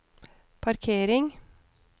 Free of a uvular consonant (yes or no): yes